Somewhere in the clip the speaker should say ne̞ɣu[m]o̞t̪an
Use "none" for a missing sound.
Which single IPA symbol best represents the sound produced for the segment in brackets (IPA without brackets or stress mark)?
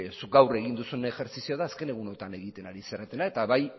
n